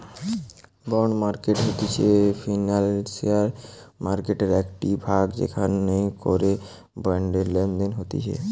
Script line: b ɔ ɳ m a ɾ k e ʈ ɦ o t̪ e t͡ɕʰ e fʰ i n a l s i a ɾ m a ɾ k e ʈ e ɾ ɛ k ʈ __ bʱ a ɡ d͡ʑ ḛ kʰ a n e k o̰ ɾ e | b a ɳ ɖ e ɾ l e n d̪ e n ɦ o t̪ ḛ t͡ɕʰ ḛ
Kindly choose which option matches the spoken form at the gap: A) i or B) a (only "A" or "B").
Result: A